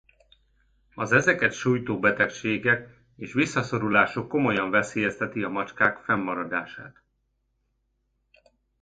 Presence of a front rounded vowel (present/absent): absent